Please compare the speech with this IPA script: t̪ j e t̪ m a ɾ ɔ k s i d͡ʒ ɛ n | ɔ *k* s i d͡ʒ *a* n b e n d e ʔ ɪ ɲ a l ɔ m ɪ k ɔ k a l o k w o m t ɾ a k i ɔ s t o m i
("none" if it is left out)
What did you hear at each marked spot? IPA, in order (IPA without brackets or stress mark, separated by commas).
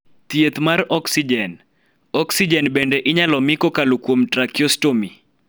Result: k, ɛ